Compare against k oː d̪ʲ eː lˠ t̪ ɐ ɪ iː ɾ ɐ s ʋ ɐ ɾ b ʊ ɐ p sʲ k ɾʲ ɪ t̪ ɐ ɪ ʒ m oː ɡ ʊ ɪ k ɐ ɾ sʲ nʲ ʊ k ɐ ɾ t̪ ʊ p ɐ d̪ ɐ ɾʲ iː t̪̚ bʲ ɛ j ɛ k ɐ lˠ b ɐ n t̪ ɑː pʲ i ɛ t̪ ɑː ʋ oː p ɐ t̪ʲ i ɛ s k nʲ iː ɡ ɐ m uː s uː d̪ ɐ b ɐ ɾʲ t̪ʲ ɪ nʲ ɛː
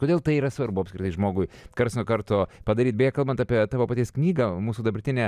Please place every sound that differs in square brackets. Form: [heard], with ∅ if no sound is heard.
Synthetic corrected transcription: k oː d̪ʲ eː lˠ t̪ ɐ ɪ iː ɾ ɐ s ʋ ɐ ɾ b ʊ ɐ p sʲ k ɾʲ ɪ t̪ ɐ ɪ ʒ m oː ɡ ʊ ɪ k ɐ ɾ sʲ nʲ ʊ k ɐ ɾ t̪ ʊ p ɐ d̪ ɐ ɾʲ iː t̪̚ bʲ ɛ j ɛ k ɐ lˠ b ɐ n t̪ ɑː pʲ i ɛ t̪ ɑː ʋ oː p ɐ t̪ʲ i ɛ s k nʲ iː ɡ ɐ m uː s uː d̪ ɐ b ɐ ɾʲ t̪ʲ ɪ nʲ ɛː